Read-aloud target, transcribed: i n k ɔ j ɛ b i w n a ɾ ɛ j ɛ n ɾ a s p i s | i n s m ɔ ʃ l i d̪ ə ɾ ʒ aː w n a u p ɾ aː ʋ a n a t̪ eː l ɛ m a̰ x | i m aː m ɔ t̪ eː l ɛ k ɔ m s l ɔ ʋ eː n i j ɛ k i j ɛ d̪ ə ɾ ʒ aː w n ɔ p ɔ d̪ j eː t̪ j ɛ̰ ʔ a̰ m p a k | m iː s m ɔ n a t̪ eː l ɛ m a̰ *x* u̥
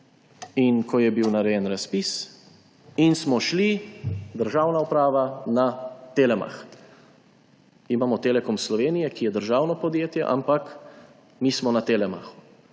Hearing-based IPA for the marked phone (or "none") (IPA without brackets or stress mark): x